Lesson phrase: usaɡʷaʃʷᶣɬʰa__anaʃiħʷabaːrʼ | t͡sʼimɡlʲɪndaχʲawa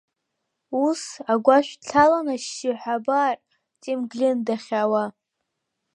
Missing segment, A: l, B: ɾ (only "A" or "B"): A